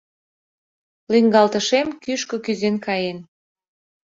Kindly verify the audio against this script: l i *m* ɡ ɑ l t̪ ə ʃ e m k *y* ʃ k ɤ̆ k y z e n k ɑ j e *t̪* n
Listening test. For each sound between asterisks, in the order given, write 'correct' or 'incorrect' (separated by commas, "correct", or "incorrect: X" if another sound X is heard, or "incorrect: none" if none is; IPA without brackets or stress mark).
incorrect: ŋ, correct, incorrect: none